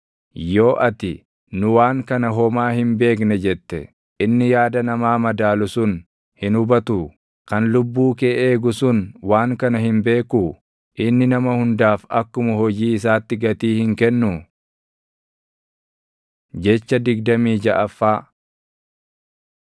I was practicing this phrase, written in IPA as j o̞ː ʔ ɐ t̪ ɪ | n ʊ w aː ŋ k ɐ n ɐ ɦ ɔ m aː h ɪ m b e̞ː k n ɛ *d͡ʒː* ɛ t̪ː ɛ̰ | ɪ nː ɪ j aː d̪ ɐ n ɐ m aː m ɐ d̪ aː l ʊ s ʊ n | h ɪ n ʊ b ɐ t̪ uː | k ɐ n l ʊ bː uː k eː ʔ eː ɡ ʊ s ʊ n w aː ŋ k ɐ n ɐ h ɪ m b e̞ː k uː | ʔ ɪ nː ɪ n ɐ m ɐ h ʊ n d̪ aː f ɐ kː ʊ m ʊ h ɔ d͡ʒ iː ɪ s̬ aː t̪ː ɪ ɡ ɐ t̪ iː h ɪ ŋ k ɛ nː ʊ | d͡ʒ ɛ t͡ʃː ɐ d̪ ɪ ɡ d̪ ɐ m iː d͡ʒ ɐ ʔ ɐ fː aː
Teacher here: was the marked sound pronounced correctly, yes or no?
no